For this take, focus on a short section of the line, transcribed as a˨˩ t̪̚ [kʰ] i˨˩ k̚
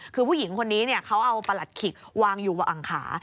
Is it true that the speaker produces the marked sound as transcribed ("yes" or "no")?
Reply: yes